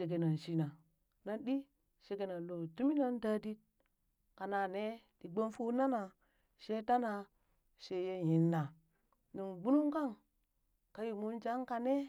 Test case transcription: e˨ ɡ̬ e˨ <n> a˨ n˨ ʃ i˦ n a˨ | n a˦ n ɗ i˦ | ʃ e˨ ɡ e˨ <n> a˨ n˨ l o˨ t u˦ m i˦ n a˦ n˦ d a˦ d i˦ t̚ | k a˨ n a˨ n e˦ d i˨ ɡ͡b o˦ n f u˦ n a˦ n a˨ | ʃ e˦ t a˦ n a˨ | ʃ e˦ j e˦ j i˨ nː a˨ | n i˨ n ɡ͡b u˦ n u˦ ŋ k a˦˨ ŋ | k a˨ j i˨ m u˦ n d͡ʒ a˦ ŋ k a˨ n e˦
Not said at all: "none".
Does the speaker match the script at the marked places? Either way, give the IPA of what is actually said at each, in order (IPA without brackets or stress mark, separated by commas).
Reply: n, n